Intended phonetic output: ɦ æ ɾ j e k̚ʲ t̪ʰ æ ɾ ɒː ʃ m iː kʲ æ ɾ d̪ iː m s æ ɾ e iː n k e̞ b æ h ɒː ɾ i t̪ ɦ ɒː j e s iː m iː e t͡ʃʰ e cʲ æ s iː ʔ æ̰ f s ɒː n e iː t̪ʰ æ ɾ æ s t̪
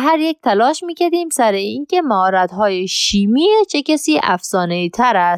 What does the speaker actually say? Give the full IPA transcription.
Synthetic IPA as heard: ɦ æ ɾ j e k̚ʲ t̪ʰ æ l ɒː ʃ m iː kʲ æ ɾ d̪ iː m s æ ɾ e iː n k e̞ m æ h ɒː ɾ æ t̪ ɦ ɒː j e ʃ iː m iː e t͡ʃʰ e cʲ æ s iː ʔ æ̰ f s ɒː n e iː t̪ʰ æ ɾ æ s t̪